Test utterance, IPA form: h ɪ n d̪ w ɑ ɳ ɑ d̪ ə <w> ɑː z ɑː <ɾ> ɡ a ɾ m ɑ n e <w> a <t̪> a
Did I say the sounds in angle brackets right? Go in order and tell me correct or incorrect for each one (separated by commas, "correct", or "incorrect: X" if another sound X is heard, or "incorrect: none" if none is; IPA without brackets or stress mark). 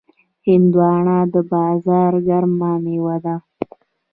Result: incorrect: b, correct, correct, incorrect: d̪